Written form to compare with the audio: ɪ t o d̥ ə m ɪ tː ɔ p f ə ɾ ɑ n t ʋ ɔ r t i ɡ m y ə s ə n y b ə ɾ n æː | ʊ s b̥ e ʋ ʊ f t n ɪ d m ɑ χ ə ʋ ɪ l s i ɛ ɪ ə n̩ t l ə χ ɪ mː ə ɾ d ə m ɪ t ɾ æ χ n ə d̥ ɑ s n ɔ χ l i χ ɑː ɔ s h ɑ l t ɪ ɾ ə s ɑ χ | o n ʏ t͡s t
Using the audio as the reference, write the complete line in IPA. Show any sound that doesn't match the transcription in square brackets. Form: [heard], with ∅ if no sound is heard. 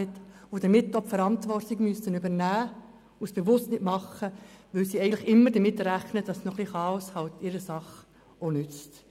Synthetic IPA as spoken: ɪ t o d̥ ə m ɪ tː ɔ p f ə ɾ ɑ n t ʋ ɔ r t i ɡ m y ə s ə n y b ə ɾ n æː | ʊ s b̥ e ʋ ʊ [s] t n ɪ [t] m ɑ χ ə ʋ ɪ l s i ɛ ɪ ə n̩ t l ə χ ɪ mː ə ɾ d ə m ɪ t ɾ æ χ n ə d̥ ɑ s n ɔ χ l i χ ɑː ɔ s h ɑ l t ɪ ɾ ə s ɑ χ | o n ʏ t͡s t